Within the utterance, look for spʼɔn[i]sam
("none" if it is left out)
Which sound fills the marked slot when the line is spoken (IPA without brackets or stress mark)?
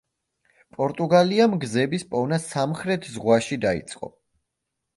a